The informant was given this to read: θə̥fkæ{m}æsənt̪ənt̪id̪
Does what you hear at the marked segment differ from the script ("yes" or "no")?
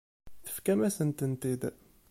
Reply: no